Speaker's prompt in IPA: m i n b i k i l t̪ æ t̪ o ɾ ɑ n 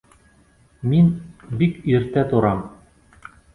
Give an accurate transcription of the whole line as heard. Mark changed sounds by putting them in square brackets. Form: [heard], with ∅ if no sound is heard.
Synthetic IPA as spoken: m i n b i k i [ɾ] t̪ æ t̪ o ɾ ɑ [m]